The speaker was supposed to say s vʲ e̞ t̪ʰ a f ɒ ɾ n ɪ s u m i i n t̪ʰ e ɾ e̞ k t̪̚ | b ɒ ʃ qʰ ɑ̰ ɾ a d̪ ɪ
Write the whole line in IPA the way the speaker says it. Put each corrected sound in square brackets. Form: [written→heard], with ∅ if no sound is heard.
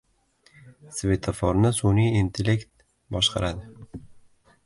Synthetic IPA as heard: s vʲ e̞ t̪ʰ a f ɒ ɾ n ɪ s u [m→n] i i n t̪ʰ e [ɾ→l] e̞ k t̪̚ | b ɒ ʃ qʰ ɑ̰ ɾ a d̪ ɪ